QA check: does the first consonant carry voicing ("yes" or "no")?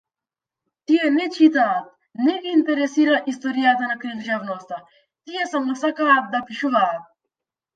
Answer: no